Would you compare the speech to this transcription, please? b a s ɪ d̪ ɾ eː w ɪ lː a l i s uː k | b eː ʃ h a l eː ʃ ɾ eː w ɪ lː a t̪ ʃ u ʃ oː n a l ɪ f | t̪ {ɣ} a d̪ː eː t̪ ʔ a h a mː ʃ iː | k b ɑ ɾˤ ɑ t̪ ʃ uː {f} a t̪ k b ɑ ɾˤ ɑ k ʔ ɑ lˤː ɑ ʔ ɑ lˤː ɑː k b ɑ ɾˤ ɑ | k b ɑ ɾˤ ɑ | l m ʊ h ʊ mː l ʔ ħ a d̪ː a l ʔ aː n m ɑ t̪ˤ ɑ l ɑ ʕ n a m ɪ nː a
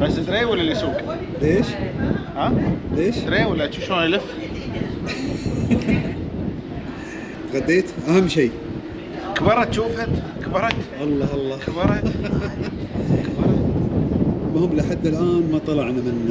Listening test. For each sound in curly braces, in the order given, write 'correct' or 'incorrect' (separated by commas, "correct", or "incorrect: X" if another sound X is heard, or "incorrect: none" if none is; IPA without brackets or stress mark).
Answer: correct, correct